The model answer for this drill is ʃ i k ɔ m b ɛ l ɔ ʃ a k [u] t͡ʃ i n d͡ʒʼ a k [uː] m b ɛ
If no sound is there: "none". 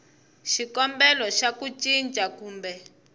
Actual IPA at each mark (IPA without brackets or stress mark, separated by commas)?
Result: u, uː